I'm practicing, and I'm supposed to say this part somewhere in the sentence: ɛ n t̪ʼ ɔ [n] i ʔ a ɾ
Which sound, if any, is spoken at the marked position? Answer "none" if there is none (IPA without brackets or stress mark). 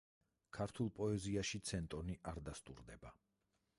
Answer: n